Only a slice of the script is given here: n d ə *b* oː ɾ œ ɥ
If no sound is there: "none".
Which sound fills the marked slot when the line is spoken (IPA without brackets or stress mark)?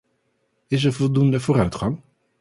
v